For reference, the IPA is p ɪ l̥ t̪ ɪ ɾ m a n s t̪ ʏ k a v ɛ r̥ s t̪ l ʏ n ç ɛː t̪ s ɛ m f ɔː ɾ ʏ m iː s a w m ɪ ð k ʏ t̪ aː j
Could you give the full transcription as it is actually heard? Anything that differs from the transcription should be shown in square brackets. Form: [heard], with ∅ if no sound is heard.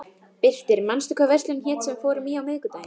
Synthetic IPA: p ɪ l̥ t̪ ɪ ɾ m a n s t̪ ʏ k a v ɛ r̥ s t̪ l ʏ n ç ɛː t̪ s ɛ m f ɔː ɾ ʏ m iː [∅] a w m ɪ ð k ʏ t̪ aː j